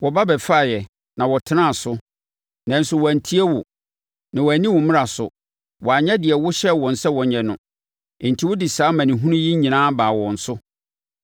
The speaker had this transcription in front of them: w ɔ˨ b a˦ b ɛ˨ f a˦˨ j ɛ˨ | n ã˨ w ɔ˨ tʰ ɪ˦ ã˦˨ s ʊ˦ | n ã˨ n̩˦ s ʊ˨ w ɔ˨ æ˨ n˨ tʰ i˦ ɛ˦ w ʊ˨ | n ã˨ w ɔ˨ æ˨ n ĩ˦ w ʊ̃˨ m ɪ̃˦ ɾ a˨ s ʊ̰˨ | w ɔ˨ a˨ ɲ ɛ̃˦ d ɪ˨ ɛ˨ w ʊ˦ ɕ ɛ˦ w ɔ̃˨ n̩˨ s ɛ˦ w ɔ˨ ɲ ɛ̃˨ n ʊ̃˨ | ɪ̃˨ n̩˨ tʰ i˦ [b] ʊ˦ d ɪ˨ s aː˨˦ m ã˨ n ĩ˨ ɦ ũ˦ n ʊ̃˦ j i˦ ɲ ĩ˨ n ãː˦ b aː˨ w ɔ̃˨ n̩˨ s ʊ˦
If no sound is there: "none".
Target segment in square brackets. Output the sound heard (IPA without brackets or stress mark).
w